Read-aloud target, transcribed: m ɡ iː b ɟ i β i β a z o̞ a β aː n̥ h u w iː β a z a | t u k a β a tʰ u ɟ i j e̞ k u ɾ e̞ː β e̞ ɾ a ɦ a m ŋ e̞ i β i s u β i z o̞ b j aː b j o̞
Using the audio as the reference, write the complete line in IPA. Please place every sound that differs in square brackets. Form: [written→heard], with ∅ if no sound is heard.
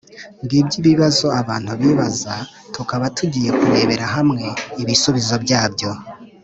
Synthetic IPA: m ɡ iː b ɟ i β i β a z o̞ a β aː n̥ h u [w→β] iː β a z a | t u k a β a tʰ u ɟ i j e̞ k u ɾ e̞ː β e̞ ɾ a ɦ a m ŋ e̞ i β i s u β i z o̞ b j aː b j o̞